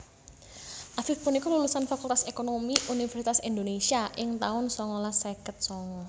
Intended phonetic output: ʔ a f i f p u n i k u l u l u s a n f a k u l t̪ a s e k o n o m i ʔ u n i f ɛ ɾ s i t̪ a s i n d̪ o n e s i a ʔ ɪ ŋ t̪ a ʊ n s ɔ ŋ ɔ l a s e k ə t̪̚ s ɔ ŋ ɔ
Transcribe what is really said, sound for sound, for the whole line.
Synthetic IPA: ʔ a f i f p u n i k ɔ l u l u s a n f a k u l t̪ a s e k o n o m i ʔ u n i f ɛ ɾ s i t̪ a s i n d̪ o n e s i a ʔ ɪ ŋ t̪ a ʊ n s ɔ ŋ ɔ l a s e k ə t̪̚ s ɔ ŋ ɔ